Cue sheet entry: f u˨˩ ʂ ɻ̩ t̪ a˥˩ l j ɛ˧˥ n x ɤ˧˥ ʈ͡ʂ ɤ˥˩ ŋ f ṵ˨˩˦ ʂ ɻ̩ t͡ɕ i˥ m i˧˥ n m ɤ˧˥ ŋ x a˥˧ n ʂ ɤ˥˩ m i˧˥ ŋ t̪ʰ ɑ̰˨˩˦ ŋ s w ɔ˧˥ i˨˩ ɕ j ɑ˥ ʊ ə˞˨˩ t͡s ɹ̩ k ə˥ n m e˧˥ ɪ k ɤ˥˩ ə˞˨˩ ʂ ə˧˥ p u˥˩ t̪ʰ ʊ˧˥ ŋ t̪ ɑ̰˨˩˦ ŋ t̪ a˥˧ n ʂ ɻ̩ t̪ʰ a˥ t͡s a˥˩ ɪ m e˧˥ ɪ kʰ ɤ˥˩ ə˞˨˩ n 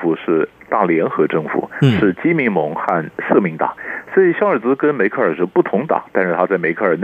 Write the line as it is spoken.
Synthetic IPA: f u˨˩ ʂ ɻ̩ t̪ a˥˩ l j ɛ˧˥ n x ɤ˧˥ ʈ͡ʂ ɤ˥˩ ŋ f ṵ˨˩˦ ʂ ɻ̩ t͡ɕ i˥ m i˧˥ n m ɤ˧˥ ŋ x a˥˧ n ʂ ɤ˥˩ m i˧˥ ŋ t̪ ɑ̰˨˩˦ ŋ s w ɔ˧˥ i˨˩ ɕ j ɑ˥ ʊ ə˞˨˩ t͡s ɹ̩ k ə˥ n m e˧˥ ɪ kʰ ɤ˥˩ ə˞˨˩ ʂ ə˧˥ p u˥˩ t̪ʰ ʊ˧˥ ŋ t̪ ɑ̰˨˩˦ ŋ t̪ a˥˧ n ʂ ɻ̩ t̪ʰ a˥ t͡s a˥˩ ɪ m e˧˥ ɪ kʰ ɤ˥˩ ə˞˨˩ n